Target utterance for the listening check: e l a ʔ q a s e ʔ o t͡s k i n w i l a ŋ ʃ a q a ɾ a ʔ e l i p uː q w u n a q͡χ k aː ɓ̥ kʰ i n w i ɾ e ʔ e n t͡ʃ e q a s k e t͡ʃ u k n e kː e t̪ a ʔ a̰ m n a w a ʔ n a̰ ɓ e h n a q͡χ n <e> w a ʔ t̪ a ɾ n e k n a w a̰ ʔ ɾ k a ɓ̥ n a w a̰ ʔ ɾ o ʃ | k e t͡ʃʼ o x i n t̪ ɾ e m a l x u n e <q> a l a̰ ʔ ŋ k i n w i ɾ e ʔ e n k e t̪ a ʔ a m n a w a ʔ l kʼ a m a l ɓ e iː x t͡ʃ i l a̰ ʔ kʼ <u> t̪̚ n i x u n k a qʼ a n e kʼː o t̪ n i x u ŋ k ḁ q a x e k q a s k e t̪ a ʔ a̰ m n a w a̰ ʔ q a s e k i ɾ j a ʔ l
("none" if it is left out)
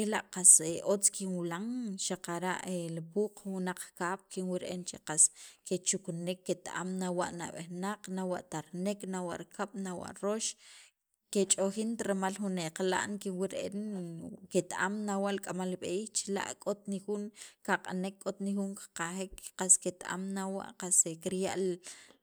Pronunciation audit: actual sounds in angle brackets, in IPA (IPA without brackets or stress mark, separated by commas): a, q, o